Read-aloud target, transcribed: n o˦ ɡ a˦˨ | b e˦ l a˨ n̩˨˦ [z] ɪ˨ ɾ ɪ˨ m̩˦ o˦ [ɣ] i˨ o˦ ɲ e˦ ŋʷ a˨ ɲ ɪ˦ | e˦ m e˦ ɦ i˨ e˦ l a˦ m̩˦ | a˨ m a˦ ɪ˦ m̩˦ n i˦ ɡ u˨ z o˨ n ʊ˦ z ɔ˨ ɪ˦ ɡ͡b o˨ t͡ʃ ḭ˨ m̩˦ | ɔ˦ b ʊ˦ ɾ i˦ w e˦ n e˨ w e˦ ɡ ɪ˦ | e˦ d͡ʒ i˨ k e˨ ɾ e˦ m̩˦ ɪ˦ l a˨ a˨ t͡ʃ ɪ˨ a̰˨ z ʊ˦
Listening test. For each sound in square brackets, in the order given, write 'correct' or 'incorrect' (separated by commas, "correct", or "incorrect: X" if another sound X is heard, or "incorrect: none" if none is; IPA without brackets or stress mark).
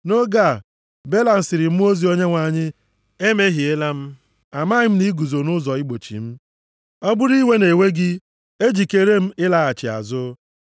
incorrect: s, incorrect: z